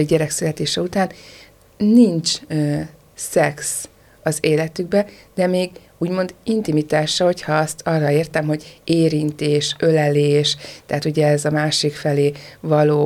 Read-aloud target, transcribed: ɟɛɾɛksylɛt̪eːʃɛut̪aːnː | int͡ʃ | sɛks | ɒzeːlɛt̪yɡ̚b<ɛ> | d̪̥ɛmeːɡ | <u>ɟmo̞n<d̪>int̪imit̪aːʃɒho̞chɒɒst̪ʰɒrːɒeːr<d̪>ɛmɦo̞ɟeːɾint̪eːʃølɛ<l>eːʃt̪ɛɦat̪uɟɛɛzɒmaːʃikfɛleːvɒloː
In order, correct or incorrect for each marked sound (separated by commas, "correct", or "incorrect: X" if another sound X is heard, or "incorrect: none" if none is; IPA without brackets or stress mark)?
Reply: correct, incorrect: uː, correct, incorrect: t̪, correct